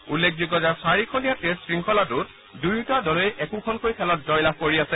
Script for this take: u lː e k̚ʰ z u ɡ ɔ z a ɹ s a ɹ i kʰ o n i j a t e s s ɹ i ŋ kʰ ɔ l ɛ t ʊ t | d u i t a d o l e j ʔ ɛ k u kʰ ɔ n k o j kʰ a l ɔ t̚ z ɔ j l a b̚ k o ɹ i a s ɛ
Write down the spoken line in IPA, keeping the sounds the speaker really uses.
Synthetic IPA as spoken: u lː e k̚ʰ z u ɡ ɔ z a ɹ s a ɹ i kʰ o n i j a t e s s ɹ i ŋ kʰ ɔ l a t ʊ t | d u j t a d ɔ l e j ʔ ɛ k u kʰ ɔ n k o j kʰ ɛ l ɔ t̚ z ɔ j l a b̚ k o ɹ i a s ɛ